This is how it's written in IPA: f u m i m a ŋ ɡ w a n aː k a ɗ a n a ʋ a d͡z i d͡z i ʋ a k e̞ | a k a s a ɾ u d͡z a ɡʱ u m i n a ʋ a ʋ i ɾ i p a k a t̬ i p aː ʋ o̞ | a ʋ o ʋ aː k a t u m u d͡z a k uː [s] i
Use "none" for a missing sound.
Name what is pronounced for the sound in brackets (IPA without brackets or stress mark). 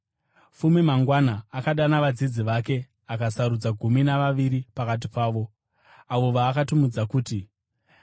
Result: t